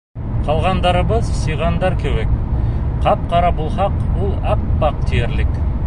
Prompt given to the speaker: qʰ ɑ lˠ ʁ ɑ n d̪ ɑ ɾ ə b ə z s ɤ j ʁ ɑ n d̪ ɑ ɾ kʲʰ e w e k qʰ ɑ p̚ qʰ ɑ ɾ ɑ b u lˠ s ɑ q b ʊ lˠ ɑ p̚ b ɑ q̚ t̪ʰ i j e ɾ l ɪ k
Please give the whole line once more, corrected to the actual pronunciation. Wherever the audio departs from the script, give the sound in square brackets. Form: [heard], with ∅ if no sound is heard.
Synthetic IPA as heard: qʰ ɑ lˠ ʁ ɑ n d̪ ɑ ɾ ə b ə z s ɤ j ʁ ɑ n d̪ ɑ ɾ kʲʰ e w e k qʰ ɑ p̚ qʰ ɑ ɾ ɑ b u lˠ [χ] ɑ q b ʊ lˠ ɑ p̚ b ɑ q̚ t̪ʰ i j e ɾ l ɪ k